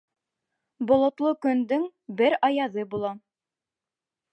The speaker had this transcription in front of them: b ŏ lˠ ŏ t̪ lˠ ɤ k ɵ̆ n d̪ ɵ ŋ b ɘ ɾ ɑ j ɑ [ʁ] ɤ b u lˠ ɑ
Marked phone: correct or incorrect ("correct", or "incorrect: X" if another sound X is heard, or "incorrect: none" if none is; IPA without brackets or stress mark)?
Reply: incorrect: ð